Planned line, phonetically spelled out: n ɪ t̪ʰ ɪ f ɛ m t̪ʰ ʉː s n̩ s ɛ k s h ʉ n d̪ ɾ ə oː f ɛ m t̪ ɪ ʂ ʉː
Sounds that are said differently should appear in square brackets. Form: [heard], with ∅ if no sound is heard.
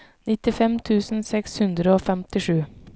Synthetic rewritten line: n ɪ [t̪] ɪ f ɛ m t̪ʰ ʉː s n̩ s ɛ k s h ʉ n d̪ ɾ ə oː f ɛ m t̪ ɪ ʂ ʉː